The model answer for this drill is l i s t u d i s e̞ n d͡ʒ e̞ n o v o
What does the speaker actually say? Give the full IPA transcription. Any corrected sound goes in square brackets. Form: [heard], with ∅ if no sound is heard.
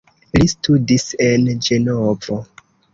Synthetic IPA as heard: l i s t u d i s e̞ n d͡ʒ e̞ n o v o